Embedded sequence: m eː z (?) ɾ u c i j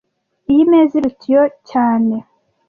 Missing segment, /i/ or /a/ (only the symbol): i